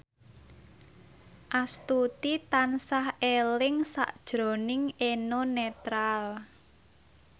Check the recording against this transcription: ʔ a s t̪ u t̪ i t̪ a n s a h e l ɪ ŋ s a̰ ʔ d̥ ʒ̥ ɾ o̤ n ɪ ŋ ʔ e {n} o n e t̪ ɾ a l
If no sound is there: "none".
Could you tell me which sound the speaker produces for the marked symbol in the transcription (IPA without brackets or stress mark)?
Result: n